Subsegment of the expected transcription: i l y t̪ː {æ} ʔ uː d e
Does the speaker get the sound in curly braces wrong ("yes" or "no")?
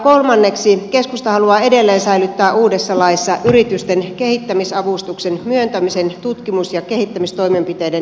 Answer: yes